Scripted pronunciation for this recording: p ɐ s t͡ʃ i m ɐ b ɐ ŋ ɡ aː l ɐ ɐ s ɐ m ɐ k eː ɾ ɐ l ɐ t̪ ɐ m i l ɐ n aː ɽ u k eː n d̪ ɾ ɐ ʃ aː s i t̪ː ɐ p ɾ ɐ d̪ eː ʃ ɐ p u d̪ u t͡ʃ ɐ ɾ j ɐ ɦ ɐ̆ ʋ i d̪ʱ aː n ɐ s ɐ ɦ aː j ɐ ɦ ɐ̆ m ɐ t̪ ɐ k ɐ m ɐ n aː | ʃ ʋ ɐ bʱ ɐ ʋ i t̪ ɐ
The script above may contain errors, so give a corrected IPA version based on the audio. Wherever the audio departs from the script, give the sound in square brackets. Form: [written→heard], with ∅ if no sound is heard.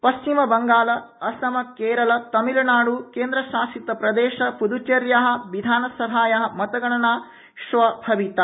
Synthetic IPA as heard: p ɐ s t͡ʃ i m ɐ b ɐ ŋ ɡ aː l ɐ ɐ s ɐ m ɐ k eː ɾ ɐ l ɐ t̪ ɐ m i l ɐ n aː ɽ u k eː n d̪ ɾ ɐ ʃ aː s i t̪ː ɐ p ɾ ɐ d̪ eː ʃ ɐ p u d̪ u t͡ʃ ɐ ɾ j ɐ ɦ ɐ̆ ʋ i d̪ʱ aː n ɐ s ɐ ɦ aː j ɐ ɦ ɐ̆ m ɐ t̪ ɐ [k→ɡ] ɐ [m→ɳ] ɐ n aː | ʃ ʋ ɐ bʱ ɐ ʋ i t̪ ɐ

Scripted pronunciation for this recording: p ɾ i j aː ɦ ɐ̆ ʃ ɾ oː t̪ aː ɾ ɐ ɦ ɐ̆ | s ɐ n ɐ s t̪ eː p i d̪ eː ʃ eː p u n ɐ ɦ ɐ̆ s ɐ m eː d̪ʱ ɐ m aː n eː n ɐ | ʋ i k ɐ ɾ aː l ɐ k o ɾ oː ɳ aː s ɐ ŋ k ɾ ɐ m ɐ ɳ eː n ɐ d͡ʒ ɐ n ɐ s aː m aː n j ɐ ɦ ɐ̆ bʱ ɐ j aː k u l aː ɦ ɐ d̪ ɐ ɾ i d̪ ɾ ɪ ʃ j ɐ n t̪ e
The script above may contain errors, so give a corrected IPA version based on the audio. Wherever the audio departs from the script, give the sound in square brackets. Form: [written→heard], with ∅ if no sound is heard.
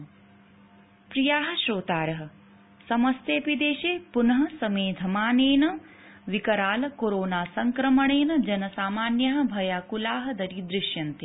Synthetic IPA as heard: p ɾ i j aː ɦ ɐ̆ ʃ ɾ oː t̪ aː ɾ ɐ ɦ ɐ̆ | s ɐ [n→m] ɐ s t̪ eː p i d̪ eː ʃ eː p u n ɐ ɦ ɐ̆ s ɐ m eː d̪ʱ ɐ m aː n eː n ɐ | ʋ i k ɐ ɾ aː l ɐ k o ɾ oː [ɳ→n] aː s ɐ ŋ k ɾ ɐ m ɐ ɳ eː n ɐ d͡ʒ ɐ n ɐ s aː m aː n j ɐ ɦ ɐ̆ bʱ ɐ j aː k u l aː ɦ ɐ d̪ ɐ ɾ i d̪ ɾ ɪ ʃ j ɐ n t̪ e

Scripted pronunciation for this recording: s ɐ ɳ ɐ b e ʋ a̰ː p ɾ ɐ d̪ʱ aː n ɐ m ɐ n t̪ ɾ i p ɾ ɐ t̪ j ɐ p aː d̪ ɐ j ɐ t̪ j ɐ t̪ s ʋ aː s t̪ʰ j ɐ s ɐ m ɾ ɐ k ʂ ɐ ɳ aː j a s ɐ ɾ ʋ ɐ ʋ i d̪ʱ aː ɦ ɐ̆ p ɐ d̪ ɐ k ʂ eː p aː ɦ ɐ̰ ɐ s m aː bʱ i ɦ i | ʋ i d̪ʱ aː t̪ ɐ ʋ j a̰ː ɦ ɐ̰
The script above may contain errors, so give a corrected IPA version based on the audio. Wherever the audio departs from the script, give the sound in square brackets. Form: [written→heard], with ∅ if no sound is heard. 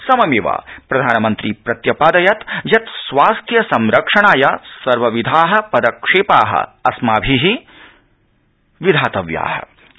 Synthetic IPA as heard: s ɐ [ɳ→m] ɐ [b→m] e ʋ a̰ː p ɾ ɐ d̪ʱ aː n ɐ m ɐ n t̪ ɾ i p ɾ ɐ t̪ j ɐ p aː d̪ ɐ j ɐ t̪ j ɐ t̪ s ʋ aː s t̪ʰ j ɐ s ɐ m ɾ ɐ k ʂ ɐ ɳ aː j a s ɐ ɾ ʋ ɐ ʋ i d̪ʱ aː ɦ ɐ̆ p ɐ d̪ ɐ k ʂ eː p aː ɦ ɐ̰ ɐ s m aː bʱ i ɦ i | ʋ i d̪ʱ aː t̪ ɐ ʋ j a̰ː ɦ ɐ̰

